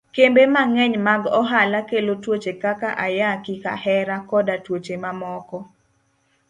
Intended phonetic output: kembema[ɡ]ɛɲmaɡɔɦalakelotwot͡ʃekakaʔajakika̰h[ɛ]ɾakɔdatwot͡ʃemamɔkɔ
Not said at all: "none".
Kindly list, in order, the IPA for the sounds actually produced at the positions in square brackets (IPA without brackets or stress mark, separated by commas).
ŋ, ɛ